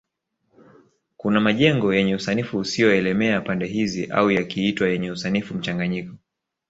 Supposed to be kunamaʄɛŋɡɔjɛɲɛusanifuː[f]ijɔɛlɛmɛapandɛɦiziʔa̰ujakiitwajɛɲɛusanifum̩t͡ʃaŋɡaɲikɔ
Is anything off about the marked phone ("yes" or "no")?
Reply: yes